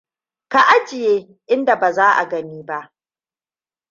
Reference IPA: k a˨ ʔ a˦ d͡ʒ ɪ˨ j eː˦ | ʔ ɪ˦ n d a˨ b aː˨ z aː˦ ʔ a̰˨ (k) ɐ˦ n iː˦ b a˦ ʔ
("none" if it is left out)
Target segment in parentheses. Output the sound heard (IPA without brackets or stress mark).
ɡ